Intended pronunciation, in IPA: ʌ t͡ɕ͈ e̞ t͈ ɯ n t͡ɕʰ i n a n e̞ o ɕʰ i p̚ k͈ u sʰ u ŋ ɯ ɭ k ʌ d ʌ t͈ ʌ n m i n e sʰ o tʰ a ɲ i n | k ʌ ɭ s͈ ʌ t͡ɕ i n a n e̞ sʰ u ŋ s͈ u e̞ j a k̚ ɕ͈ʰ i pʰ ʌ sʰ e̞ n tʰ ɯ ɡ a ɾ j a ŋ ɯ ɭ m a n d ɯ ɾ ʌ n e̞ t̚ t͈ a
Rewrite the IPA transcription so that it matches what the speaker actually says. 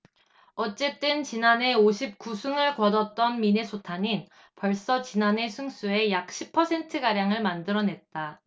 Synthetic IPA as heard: ʌ t͡ɕ͈ e̞ t͈ ɯ n t͡ɕ i n a n e̞ o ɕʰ i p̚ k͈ u sʰ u ŋ ɯ ɭ k ʌ d ʌ t͈ ʌ n m i n e sʰ o tʰ a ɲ i n | p ʌ ɭ s͈ ʌ t͡ɕ i n a n e̞ sʰ u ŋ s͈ u e̞ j a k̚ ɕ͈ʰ i pʰ ʌ sʰ e̞ n tʰ ɯ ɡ a ɾ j a ŋ ɯ ɭ m a n d ɯ ɾ ʌ n e̞ t̚ t͈ a